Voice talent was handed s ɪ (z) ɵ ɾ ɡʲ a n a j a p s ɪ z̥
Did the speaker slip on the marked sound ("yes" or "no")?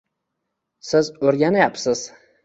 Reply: no